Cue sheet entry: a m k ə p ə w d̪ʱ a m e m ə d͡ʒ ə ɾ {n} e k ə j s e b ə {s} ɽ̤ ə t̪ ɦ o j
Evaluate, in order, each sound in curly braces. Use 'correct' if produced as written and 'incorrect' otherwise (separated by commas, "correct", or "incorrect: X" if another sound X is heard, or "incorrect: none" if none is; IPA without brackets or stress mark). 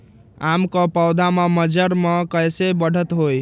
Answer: incorrect: m, incorrect: none